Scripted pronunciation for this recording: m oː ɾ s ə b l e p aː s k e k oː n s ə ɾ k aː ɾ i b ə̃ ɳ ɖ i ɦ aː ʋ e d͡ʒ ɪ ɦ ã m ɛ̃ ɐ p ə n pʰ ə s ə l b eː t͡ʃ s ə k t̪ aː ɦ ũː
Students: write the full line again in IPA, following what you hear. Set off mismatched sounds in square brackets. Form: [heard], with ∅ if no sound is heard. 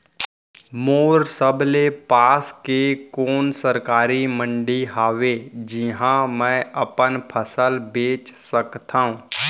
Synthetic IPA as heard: m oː ɾ s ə b l e p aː s k e k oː n s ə ɾ k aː ɾ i [m] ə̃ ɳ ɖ i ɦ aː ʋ e d͡ʒ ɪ ɦ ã m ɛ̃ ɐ p ə n pʰ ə s ə l b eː t͡ʃ s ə k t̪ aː ɦ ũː